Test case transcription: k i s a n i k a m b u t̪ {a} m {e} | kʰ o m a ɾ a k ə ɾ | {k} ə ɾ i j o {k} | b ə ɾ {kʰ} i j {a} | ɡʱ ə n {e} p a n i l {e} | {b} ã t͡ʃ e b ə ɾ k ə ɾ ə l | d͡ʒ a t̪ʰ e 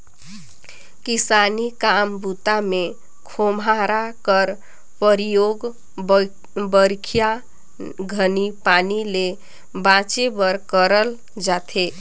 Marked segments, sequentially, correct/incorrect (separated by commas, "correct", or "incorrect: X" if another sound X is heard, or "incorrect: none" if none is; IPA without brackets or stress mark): correct, correct, incorrect: p, incorrect: ɡ, correct, correct, incorrect: i, correct, correct